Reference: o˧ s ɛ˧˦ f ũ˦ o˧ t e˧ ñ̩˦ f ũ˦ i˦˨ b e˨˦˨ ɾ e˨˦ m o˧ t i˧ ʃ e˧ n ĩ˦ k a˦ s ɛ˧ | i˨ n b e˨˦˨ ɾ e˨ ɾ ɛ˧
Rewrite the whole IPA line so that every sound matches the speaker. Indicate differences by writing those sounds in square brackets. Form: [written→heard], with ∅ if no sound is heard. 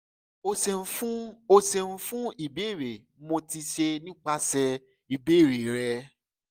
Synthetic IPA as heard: o˧ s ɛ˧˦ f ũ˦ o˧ [t→s] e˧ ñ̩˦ f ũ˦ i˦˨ b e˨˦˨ ɾ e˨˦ m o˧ t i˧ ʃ e˧ n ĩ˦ [k→k͡p] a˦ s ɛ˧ | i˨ [n→∅] b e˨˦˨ ɾ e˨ ɾ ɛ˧